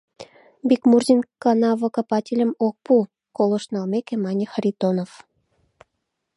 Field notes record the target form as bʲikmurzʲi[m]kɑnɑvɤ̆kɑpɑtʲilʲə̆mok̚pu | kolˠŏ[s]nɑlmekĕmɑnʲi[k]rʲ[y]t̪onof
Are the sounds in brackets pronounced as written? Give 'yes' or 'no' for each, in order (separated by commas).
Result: no, no, no, no